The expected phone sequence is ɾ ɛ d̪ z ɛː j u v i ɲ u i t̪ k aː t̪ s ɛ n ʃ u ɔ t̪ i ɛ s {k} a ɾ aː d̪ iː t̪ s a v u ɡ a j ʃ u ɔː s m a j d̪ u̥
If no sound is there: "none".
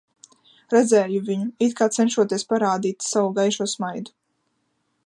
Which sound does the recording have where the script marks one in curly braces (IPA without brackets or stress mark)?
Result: p